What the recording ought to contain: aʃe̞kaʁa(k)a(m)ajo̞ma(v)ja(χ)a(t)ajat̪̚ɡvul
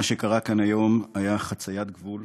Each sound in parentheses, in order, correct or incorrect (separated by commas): correct, incorrect, incorrect, correct, incorrect